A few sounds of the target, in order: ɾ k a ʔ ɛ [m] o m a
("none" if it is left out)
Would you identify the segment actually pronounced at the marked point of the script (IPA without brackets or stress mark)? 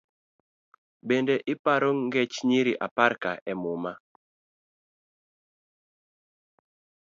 m